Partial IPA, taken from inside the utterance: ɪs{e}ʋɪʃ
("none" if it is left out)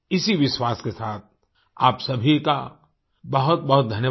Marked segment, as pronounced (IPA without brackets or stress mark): i